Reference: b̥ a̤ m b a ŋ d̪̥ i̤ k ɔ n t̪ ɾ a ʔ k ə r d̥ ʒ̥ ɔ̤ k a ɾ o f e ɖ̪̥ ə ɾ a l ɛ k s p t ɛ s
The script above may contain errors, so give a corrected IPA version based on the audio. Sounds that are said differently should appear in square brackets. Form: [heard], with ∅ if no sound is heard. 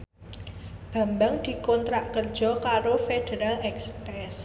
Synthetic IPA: b̥ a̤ m b a ŋ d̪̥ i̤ k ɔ n t̪ ɾ a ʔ k ə r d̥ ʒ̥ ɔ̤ k a ɾ o f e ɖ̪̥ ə ɾ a l ɛ k s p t ɛ s